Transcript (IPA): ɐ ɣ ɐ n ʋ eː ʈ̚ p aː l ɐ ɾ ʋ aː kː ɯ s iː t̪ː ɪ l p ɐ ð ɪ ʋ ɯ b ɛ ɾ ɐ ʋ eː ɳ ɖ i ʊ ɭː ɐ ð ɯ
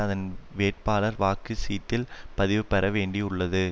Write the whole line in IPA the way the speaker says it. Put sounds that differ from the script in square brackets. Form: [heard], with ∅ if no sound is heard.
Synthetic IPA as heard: ɐ [ð] ɐ n ʋ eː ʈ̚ p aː l ɐ ɾ ʋ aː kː ɯ s iː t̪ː ɪ l p ɐ ð ɪ ʋ ɯ [p] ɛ ɾ ɐ ʋ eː ɳ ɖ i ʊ ɭː ɐ ð ɯ